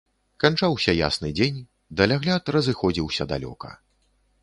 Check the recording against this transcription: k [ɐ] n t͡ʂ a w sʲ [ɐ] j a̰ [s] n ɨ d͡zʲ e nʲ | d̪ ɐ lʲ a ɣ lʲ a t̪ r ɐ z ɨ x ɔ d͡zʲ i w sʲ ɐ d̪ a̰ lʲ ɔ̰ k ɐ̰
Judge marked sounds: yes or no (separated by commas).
no, yes, yes